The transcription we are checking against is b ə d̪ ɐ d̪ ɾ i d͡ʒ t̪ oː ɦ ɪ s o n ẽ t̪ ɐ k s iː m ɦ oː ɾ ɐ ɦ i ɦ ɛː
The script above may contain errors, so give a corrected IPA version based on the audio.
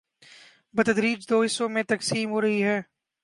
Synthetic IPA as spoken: b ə t̪ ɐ d̪ ɾ iː d͡ʒ d̪ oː ɦ ɪ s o m ẽ t̪ ɐ k s iː m ɦ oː ɾ ɐ ɦ i ɦ ɛː